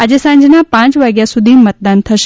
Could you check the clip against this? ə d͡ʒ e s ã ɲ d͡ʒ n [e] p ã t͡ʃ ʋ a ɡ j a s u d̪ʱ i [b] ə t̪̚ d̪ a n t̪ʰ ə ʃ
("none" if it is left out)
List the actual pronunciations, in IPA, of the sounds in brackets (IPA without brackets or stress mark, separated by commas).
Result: a, m